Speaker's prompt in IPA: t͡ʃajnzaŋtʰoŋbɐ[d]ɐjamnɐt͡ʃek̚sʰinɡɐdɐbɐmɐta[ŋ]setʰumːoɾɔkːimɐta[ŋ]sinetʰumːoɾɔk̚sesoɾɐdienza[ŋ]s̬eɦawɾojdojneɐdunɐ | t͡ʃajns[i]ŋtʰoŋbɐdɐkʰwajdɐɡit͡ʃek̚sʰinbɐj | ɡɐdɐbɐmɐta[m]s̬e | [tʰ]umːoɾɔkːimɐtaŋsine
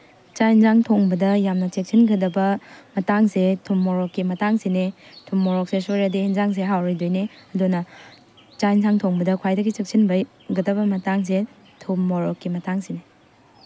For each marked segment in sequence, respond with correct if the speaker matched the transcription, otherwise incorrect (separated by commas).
correct, correct, correct, correct, incorrect, incorrect, correct